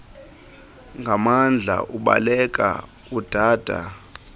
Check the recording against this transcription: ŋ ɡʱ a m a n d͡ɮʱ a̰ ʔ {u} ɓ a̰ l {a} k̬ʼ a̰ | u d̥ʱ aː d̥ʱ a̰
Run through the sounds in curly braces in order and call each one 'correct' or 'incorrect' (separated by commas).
correct, incorrect